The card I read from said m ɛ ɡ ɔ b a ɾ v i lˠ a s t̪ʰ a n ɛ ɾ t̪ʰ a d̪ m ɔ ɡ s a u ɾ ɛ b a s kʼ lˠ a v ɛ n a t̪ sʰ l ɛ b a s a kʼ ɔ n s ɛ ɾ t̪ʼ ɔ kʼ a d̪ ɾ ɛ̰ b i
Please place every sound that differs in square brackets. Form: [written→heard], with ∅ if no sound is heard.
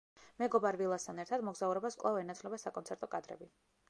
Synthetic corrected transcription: m ɛ ɡ ɔ b a ɾ v i lˠ a s t̪ʰ a n ɛ ɾ t̪ʰ a d̪ m ɔ ɡ [s→z] a u ɾ ɛ b a s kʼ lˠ a v ɛ n a t̪ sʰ l ɛ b a s a kʼ ɔ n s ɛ ɾ t̪ʼ ɔ kʼ a d̪ ɾ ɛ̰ b i